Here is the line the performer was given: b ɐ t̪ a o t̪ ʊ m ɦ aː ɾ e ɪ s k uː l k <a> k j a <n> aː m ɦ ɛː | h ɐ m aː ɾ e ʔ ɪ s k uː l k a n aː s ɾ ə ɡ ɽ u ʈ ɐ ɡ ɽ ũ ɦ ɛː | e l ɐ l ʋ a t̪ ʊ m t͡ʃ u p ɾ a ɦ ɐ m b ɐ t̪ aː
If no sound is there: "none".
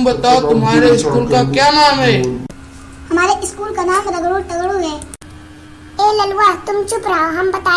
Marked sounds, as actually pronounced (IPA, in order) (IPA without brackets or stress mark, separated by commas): a, n